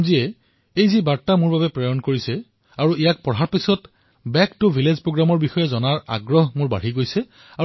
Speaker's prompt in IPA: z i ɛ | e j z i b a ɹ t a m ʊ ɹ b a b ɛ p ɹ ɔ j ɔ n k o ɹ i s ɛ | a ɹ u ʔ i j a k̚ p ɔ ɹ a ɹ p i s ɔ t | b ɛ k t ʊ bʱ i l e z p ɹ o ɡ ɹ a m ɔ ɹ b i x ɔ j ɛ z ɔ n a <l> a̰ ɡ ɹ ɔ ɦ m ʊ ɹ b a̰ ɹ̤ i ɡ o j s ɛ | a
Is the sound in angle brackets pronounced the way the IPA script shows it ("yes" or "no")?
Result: no